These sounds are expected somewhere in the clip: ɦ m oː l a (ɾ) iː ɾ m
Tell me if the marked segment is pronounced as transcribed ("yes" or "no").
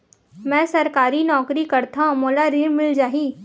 yes